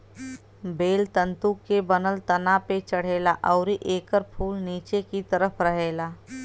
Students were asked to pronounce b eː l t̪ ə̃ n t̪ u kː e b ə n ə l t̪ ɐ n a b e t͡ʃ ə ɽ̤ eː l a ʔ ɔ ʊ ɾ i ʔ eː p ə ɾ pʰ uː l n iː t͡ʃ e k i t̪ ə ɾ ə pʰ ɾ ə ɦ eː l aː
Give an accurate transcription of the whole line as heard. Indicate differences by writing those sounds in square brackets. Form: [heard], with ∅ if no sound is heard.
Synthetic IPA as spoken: b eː l t̪ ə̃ n t̪ u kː e b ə n ə l t̪ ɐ n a [p] e t͡ʃ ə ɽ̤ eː l a ʔ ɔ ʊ ɾ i ʔ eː [k] ə ɾ pʰ uː l n iː t͡ʃ e k i t̪ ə ɾ ə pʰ ɾ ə ɦ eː l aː